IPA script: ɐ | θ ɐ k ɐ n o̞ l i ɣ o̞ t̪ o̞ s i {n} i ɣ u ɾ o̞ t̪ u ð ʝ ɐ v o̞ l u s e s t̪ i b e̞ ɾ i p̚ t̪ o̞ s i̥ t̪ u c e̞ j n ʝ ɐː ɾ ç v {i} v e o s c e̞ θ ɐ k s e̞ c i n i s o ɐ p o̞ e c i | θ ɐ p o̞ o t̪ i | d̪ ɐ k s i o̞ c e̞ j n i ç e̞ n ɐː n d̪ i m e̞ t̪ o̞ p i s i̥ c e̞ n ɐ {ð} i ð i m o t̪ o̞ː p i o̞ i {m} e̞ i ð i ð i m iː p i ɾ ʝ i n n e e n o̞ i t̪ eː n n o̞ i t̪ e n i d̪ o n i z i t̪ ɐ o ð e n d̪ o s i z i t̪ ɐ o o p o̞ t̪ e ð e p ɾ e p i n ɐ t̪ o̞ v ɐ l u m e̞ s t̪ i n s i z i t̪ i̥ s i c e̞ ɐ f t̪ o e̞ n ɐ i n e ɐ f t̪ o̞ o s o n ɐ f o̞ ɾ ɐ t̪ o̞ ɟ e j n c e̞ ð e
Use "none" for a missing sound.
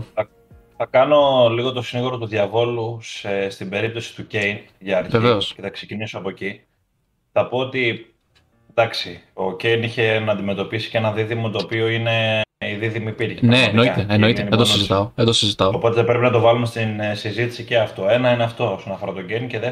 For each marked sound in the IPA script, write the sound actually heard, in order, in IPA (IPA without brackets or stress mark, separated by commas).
n, e, ð, n